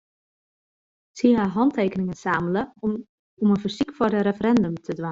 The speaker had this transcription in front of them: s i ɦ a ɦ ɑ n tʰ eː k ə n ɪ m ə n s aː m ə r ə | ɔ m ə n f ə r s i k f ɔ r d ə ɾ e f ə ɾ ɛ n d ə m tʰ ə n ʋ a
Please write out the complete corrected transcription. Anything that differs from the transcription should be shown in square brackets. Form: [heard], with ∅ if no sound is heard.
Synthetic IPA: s i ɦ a ɦ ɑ n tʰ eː k ə n ɪ [ŋ] ə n s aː m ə [l] ə | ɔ m ə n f ə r s i k f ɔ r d ə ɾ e f ə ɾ ɛ n d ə m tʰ ə [d] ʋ a

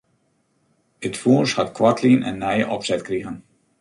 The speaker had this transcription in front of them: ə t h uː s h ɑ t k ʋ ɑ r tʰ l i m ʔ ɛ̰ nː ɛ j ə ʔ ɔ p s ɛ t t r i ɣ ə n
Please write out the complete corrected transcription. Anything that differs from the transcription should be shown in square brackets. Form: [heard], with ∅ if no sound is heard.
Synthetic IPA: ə t [f] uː s h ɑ t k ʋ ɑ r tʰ l i [n] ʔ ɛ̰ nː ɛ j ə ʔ ɔ p s ɛ t [k] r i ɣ ə n

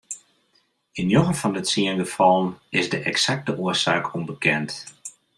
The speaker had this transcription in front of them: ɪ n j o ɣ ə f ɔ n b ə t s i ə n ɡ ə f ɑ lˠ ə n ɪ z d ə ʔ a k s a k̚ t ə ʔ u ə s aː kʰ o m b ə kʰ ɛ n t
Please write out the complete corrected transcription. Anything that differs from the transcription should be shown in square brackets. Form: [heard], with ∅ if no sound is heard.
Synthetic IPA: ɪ n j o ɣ ə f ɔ n [d] ə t s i ə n ɡ ə f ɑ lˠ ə n ɪ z d ə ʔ [ɛ] k s a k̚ t ə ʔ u ə s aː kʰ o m b ə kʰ ɛ n t

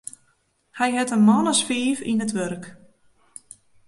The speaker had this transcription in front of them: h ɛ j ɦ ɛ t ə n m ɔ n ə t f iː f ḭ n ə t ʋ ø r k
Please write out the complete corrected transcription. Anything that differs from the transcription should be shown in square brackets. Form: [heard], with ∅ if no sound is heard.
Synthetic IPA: h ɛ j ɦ ɛ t ə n m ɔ n ə [s] f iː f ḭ n ə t ʋ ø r k

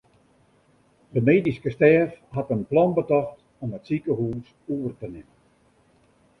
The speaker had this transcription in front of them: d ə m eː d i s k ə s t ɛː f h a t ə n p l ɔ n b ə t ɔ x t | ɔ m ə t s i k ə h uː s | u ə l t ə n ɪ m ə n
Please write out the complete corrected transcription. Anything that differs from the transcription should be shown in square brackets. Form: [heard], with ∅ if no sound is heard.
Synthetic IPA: d ə m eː d i s k ə s t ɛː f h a t ə n p l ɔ n b ə t ɔ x t | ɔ m ə t s i k ə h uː s | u ə [r] t ə n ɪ m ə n

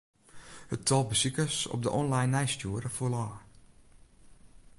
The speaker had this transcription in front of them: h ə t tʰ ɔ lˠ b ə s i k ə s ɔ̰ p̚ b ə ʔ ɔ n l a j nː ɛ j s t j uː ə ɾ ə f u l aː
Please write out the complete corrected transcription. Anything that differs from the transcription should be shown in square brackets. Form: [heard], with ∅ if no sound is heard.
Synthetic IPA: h ə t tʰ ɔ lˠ b ə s i k ə s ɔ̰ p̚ [d] ə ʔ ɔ n l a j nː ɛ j s t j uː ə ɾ ə f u l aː

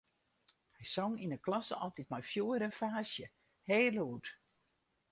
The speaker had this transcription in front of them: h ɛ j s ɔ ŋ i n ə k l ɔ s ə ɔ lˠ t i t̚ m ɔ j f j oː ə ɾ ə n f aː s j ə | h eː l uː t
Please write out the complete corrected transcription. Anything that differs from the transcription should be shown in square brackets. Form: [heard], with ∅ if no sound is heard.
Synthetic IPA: h ɛ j s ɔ ŋ i n ə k l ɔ s ə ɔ lˠ t i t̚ m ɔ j f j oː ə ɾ ə n f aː s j ə | h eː l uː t

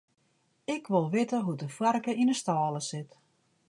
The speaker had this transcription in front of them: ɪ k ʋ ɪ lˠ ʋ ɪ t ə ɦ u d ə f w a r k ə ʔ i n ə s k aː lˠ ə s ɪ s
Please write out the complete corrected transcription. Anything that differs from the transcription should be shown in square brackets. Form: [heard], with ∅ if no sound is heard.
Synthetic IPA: ɪ k ʋ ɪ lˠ ʋ ɪ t ə ɦ u d ə f w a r k ə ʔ i n ə s [t] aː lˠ ə s ɪ [t]

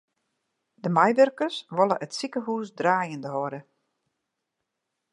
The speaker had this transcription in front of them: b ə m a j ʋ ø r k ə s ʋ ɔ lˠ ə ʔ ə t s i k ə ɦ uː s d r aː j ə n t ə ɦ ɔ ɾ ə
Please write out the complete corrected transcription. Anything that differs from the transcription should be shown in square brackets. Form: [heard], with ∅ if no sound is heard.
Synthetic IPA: [d] ə m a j ʋ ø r k ə s ʋ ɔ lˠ ə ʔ ə t s i k ə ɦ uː s d r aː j ə n [d] ə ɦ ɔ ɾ ə

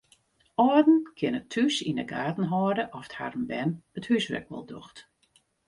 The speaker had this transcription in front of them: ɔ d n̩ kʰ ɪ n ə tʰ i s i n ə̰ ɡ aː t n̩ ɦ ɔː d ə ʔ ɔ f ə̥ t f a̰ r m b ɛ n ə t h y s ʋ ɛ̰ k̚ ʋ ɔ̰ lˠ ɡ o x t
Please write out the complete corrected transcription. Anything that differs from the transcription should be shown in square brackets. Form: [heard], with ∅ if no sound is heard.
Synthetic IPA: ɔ d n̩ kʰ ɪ n ə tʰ [y] s i n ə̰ ɡ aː t n̩ ɦ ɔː d ə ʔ ɔ f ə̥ t [h] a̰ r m b ɛ n ə t h y s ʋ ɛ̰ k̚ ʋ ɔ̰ lˠ [d] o x t

